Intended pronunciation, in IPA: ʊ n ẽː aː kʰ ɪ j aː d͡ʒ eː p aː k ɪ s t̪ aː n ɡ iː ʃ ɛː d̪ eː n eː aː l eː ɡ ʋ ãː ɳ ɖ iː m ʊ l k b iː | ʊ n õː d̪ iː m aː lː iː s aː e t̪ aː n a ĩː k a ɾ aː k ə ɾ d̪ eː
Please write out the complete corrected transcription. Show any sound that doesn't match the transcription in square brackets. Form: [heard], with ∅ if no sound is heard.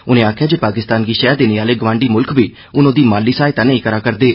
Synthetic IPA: ʊ n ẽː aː kʰ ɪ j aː d͡ʒ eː p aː k ɪ s t̪ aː n ɡ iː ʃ ɛː d̪ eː n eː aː l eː ɡ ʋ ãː ɳ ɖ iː m ʊ l k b iː | ʊ n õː d̪ iː m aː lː iː s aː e t̪ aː n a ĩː k [ə] ɾ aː k ə ɾ d̪ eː